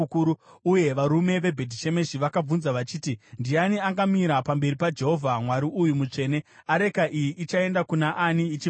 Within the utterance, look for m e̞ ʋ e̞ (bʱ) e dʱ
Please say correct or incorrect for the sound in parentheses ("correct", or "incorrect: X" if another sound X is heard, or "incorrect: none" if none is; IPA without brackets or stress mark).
correct